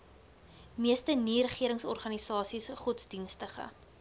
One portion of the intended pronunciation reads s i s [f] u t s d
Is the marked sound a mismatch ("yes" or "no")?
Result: yes